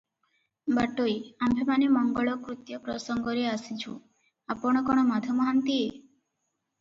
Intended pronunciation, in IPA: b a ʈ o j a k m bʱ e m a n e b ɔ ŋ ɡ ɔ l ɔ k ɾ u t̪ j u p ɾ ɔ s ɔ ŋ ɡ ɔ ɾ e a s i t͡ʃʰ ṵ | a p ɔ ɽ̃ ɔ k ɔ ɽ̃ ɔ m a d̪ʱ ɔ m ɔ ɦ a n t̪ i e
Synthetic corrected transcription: b a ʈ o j a m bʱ e m a n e m ɔ ŋ ɡ ɔ ɭ ɔ k ɾ u t̪ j ɔ p ɾ ɔ s ɔ ŋ ɡ ɔ ɾ e a s i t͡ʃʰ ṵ | a p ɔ ɽ̃ ɔ k ɔ ɽ̃ ɔ m a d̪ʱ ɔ m ɔ ɦ a n t̪ i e